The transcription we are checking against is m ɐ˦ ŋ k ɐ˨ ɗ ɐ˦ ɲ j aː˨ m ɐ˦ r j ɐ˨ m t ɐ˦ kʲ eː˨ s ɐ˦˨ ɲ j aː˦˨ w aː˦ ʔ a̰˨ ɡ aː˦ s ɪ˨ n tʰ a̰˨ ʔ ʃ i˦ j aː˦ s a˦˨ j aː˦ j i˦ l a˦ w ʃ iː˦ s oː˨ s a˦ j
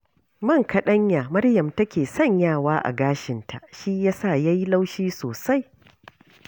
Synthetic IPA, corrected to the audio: m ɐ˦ ŋ k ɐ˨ ɗ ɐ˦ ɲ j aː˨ m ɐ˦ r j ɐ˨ m t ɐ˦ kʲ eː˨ s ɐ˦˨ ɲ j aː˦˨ w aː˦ ʔ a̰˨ ɡ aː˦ ʃ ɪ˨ n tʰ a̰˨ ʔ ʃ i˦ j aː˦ s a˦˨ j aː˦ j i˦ l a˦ w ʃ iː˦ s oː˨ s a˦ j